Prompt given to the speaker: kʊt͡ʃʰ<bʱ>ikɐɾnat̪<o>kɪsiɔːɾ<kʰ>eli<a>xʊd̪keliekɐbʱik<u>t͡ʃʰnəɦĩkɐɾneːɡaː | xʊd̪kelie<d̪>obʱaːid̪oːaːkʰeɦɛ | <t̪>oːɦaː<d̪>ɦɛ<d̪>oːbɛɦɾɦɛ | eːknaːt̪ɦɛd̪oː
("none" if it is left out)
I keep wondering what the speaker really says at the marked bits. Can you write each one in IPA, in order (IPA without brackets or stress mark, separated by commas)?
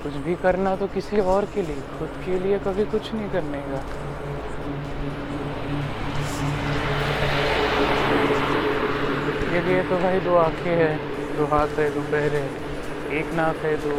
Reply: bʱ, o, k, e, ʊ, t̪, d̪, t̪, d̪